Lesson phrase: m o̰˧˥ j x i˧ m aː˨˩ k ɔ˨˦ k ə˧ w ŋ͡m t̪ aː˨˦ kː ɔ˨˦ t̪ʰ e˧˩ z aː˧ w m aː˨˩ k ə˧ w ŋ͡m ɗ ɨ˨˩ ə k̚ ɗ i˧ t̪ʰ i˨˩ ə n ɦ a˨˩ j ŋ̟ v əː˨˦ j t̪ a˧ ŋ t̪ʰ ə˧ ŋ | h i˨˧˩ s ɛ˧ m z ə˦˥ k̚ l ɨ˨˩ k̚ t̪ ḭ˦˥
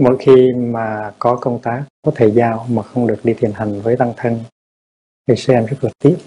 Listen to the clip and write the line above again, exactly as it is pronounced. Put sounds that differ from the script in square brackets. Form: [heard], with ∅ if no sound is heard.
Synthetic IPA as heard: m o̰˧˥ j x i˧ m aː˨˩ k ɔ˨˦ k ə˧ w ŋ͡m t̪ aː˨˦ kː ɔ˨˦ t̪ʰ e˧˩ z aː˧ w m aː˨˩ [x] ə˧ w ŋ͡m ɗ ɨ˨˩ ə k̚ ɗ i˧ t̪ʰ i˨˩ ə n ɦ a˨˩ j ŋ̟ v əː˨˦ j t̪ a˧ ŋ t̪ʰ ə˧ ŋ | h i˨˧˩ s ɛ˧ m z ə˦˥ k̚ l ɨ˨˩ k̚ t̪ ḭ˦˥